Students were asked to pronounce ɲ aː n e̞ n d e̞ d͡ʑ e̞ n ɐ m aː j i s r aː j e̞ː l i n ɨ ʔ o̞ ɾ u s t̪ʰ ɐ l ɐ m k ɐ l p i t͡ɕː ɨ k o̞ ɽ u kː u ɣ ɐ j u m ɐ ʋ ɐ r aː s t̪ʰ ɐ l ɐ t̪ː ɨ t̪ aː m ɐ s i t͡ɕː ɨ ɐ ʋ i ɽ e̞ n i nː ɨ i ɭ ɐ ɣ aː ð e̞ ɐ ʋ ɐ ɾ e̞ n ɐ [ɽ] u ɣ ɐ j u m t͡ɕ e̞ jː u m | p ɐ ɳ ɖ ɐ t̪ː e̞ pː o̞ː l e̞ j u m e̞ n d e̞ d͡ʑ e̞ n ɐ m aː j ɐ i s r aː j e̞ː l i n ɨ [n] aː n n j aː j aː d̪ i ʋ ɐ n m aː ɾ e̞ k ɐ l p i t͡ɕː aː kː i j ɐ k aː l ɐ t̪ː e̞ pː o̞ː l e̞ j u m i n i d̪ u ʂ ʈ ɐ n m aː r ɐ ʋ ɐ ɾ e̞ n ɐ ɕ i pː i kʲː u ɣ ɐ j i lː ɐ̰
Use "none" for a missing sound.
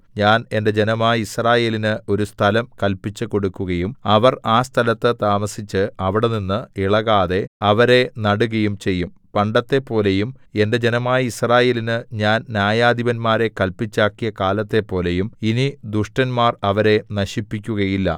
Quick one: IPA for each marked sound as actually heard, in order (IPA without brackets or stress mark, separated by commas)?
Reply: ɽ, ɲ